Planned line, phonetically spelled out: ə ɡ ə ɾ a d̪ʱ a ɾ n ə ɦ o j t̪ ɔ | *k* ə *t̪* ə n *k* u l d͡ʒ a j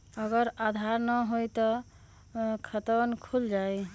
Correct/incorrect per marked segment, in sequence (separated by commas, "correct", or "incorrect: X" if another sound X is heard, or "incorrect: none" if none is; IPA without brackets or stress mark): incorrect: kʰ, correct, incorrect: kʰ